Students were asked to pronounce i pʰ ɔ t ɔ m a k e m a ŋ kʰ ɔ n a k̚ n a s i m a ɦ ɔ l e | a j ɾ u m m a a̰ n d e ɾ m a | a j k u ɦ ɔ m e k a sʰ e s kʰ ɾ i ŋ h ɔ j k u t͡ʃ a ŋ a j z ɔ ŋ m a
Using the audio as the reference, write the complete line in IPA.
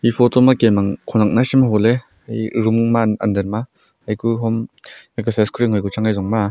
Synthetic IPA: i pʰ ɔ t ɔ m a k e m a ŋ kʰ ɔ n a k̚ n a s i m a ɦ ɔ l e | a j ɾ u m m a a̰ n d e ɾ m a | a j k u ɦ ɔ m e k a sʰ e s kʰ ɾ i ŋ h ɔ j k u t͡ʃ a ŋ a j z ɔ ŋ m a